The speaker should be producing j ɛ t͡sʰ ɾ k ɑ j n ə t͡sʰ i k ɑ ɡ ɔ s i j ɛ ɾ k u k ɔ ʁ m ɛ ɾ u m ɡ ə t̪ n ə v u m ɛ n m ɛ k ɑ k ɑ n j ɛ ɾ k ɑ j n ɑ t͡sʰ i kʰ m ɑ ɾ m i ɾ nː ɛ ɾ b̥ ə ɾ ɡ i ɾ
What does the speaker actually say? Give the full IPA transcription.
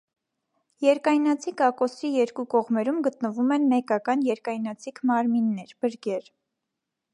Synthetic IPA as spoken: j ɛ ɾ k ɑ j n ɑ t͡sʰ i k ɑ k ɔ s i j ɛ ɾ k u k ɔ ʁ m ɛ ɾ u m ɡ ə t̪ n ə v u m ɛ n m ɛ k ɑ k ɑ n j ɛ ɾ k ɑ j n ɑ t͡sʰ i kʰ m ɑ ɾ m i nː ɛ ɾ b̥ ə ɾ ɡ ɛ ɾ